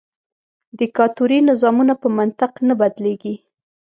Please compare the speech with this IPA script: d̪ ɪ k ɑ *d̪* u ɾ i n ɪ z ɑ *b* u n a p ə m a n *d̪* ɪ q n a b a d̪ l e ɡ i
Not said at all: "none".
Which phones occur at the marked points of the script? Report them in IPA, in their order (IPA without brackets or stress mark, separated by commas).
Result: t̪, m, t̪